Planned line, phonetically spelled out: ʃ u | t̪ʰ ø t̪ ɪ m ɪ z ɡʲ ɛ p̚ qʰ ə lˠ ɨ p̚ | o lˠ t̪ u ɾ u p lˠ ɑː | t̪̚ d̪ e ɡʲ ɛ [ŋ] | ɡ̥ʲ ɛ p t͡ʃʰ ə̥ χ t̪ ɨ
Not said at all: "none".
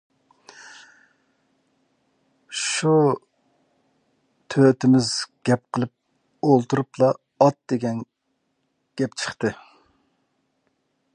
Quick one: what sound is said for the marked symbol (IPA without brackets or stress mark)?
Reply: n